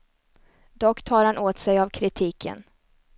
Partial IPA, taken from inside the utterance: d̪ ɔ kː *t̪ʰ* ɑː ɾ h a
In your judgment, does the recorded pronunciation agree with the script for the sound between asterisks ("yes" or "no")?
yes